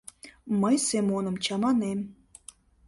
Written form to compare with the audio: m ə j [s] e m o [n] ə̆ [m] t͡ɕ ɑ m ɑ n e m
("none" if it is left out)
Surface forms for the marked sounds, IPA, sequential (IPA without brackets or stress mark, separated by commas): s, n, m